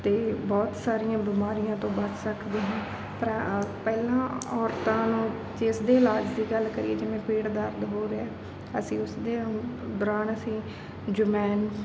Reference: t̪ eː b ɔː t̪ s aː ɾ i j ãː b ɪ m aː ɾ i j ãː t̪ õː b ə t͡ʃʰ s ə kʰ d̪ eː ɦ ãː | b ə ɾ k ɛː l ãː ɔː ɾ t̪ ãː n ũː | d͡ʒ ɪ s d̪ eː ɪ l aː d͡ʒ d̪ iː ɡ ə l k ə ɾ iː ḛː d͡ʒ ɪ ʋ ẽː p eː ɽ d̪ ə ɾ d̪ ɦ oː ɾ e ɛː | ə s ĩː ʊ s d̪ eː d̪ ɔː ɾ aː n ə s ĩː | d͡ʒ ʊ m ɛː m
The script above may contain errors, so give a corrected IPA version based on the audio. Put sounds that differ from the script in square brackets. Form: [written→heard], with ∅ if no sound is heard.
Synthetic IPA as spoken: t̪ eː b ɔː t̪ s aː ɾ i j ãː b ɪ m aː ɾ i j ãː t̪ õː b ə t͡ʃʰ s ə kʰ d̪ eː ɦ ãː | [b→p] ə ɾ [k→p] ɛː l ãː ɔː ɾ t̪ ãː n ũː | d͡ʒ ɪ s d̪ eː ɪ l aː d͡ʒ d̪ iː ɡ ə l k ə ɾ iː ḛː d͡ʒ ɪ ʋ ẽː p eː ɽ d̪ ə ɾ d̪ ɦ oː ɾ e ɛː | ə s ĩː ʊ s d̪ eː d̪ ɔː ɾ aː n ə s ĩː | d͡ʒ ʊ m ɛː [m→n]